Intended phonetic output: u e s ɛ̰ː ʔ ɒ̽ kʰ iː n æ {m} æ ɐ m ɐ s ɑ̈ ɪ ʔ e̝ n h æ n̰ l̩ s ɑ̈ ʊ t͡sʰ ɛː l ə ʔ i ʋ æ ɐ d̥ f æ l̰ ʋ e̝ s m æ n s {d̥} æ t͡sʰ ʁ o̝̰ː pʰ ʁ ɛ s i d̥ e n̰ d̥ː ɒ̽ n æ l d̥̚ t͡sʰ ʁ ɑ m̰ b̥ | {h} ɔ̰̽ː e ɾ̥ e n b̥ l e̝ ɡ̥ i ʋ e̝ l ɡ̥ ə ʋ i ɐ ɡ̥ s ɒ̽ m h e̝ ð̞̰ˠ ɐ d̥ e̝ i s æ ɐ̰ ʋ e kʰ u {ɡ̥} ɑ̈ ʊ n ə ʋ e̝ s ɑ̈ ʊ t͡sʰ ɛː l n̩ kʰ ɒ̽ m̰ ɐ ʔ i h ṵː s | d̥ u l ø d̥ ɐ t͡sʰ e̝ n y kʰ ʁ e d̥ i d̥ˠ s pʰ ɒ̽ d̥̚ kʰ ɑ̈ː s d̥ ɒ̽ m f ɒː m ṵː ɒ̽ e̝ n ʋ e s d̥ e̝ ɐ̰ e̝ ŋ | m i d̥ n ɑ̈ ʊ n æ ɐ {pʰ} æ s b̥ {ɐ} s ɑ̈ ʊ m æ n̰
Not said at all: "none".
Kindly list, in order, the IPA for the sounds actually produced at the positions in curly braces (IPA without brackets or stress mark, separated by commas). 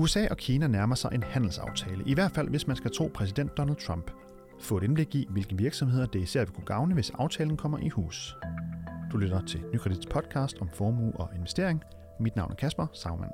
n, ɡ̥, f, ɡ̥, kʰ, ɐ